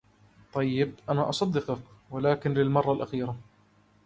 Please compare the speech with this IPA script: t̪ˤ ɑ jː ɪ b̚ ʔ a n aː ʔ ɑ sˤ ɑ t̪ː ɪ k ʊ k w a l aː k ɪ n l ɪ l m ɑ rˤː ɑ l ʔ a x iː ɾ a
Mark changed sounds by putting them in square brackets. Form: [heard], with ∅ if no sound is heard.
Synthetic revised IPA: t̪ˤ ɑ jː ɪ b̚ ʔ a n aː ʔ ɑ sˤ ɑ [d̪ː] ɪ [q] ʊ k w a l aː k ɪ n l ɪ l m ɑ rˤː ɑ l ʔ a x iː ɾ a